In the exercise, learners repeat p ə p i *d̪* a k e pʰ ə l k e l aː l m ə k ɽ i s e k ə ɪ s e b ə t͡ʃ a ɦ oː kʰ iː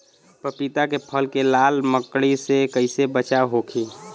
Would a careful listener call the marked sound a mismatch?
yes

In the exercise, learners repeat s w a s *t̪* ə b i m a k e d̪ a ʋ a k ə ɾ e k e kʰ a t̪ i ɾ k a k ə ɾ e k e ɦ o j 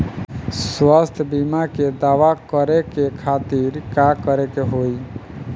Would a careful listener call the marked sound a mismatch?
yes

